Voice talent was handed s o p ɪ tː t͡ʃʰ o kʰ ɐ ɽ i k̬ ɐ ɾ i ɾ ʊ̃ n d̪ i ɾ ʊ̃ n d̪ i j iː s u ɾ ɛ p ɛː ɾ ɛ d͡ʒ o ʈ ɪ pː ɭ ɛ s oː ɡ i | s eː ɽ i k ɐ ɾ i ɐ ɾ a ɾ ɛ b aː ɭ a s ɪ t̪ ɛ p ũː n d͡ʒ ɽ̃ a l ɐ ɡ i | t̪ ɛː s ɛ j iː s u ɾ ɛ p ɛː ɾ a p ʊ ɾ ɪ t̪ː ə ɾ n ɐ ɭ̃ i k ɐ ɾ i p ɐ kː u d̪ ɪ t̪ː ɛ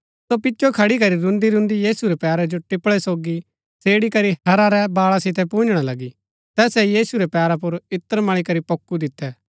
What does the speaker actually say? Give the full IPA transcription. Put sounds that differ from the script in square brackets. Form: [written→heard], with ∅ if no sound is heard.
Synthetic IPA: s o p ɪ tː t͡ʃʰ o kʰ ɐ ɽ i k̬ ɐ ɾ i ɾ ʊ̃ n d̪ i ɾ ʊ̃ n d̪ i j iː s u ɾ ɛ p ɛː ɾ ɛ d͡ʒ o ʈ ɪ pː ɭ ɛ s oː ɡ i | s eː ɽ i k ɐ ɾ i ɐ ɾ a ɾ ɛ b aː ɭ a s ɪ t̪ ɛ p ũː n d͡ʒ ɽ̃ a l ɐ ɡ i | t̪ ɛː s ɛ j iː s u ɾ ɛ p ɛː ɾ a p ʊ ɾ ɪ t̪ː ə ɾ [n→m] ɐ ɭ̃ i k ɐ ɾ i p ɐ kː u d̪ ɪ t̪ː ɛ